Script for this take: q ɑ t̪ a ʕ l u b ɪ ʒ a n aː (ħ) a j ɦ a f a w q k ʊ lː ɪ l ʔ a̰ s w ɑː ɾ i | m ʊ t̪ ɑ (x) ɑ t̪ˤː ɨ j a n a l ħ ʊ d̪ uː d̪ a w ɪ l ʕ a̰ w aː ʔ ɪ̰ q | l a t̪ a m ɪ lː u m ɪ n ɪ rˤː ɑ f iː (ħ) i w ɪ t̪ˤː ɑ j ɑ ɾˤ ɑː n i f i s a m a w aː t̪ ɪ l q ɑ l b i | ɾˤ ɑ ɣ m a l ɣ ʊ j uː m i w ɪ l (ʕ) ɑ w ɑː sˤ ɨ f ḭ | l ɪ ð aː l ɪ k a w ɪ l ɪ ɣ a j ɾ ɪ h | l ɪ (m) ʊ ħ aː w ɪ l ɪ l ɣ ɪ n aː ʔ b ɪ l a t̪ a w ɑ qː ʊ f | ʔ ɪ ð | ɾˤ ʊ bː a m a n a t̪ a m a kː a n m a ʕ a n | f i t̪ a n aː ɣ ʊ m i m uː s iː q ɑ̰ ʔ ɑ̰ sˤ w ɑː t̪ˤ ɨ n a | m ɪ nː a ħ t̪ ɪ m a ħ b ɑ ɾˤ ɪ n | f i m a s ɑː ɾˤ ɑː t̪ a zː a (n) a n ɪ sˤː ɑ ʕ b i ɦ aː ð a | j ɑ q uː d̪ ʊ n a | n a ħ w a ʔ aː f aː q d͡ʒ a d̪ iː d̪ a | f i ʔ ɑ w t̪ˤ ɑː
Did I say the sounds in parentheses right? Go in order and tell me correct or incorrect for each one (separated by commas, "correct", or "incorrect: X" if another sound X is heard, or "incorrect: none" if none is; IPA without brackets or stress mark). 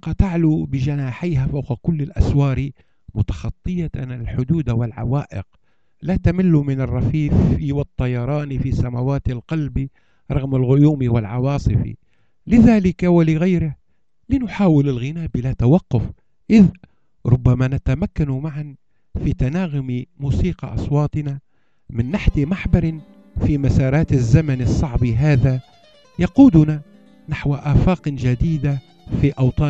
correct, correct, incorrect: f, correct, incorrect: n, incorrect: m